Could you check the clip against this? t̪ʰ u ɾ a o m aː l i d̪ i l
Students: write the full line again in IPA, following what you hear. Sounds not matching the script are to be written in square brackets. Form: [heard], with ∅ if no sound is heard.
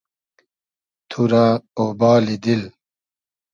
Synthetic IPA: t̪ʰ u ɾ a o [b] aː l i d̪ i l